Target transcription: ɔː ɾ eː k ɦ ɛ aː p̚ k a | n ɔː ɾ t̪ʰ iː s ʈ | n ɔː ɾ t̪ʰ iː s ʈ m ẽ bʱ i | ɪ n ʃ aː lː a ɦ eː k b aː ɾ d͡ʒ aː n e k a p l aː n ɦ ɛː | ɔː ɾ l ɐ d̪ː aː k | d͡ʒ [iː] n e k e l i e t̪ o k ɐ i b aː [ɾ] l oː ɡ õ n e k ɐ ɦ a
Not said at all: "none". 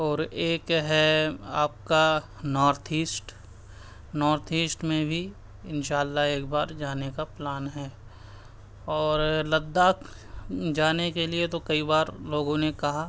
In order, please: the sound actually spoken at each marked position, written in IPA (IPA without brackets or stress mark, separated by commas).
aː, ɾ